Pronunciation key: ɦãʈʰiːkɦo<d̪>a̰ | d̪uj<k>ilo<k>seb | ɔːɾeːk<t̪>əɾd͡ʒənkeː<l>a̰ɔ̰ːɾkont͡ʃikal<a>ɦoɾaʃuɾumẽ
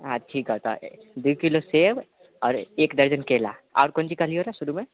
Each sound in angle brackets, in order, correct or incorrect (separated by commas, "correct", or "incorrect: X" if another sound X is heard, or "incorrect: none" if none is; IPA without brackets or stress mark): incorrect: t̪, correct, incorrect: none, incorrect: d̪, correct, incorrect: i